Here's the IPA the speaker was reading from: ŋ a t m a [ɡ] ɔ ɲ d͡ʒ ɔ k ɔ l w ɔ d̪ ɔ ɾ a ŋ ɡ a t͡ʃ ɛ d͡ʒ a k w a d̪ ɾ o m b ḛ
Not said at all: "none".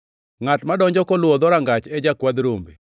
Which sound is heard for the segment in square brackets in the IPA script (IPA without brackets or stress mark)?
d